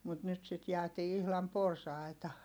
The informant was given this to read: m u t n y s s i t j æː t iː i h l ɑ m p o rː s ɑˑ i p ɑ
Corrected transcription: m u t n y t s i t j æː t iː i h l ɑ m p o r s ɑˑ i t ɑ